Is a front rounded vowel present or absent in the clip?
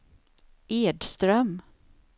present